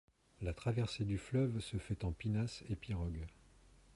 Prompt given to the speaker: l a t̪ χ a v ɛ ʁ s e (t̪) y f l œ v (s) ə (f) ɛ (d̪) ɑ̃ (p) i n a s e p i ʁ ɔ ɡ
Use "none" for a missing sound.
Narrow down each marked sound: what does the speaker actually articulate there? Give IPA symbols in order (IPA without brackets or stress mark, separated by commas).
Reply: d̪, s, f, t̪, p